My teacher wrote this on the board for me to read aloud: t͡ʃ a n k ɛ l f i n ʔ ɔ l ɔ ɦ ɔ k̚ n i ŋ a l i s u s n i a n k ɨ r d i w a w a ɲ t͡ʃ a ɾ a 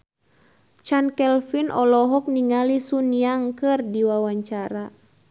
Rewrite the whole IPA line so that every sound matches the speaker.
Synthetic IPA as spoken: t͡ʃ a n k ɛ l f i n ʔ ɔ l ɔ ɦ ɔ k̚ n i ŋ a l i s u n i a ŋ k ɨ r d i w a w a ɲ t͡ʃ a ɾ a